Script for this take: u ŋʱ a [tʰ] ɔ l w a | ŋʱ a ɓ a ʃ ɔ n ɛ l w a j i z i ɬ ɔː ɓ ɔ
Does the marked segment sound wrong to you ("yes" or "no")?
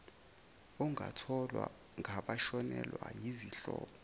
no